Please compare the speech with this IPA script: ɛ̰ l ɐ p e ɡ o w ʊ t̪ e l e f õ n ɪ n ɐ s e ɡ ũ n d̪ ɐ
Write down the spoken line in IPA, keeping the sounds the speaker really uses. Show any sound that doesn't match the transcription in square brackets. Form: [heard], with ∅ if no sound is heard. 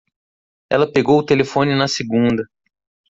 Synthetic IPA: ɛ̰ l ɐ p e ɡ o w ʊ t̪ e l e f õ n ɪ n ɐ s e ɡ ũ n d̪ ɐ